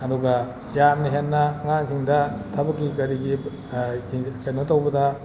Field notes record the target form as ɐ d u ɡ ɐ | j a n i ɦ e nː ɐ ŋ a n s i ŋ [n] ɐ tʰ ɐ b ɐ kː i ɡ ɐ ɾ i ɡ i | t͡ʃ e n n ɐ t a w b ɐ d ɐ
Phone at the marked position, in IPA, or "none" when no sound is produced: d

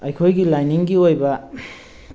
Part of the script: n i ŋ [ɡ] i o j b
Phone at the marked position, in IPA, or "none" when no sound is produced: ɡ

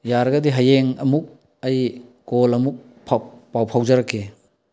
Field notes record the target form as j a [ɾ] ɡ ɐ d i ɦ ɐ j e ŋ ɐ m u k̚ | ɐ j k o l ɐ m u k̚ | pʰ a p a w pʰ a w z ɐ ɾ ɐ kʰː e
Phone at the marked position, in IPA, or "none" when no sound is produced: ɾ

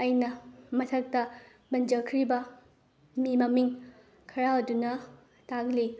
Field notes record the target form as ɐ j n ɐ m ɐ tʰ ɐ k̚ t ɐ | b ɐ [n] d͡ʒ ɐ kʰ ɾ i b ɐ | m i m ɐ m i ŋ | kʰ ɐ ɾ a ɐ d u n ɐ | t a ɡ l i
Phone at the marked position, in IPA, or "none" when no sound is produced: n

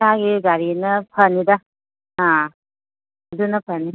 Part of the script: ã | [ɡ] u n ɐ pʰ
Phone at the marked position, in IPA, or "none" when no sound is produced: d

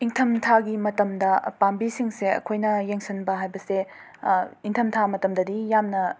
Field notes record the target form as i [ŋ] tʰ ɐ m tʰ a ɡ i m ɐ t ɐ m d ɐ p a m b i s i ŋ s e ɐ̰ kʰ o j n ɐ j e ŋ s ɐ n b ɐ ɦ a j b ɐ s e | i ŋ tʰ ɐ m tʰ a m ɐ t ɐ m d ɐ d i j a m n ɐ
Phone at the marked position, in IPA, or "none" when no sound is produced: ŋ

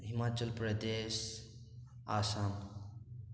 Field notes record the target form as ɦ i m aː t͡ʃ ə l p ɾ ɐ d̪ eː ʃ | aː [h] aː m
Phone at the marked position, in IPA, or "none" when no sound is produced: s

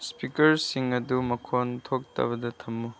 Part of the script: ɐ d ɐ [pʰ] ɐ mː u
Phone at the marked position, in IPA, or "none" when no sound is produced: tʰ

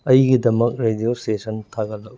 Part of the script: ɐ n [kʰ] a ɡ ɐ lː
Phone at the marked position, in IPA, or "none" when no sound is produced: tʰ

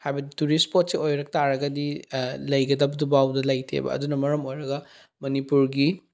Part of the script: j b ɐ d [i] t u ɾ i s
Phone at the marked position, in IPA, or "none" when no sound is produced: i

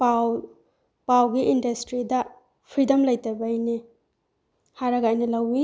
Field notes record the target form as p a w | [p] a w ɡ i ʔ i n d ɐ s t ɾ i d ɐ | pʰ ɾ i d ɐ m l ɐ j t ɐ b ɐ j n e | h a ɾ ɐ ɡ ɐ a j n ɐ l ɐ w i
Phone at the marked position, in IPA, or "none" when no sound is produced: p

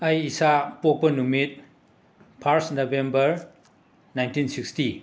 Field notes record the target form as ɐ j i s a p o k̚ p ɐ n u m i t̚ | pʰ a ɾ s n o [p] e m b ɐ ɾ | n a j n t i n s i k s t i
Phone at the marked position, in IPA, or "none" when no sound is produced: b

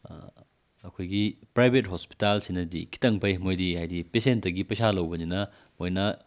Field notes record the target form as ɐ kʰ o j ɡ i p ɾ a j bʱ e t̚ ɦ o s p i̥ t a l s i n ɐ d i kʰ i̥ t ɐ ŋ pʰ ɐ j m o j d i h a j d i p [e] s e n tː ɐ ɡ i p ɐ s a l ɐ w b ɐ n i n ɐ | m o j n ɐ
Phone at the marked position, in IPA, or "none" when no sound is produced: e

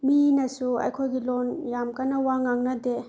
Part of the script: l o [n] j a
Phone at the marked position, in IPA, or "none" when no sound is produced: n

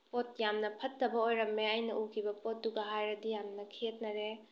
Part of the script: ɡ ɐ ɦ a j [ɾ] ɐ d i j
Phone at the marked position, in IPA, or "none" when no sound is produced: ɾ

